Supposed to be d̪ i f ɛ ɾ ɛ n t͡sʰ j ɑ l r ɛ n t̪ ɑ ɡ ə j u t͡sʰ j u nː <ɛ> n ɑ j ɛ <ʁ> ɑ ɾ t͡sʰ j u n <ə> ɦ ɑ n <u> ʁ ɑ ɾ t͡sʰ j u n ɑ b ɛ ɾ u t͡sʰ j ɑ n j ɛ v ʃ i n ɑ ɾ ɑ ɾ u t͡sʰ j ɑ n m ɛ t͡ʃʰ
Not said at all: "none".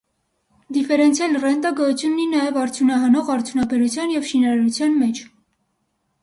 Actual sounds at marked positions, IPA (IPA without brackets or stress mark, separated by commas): i, v, ɑ, ɔ